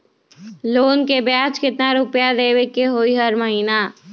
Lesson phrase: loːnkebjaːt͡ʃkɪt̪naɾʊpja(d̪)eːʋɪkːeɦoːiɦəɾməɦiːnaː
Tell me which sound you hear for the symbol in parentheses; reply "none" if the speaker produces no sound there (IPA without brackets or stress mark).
d̪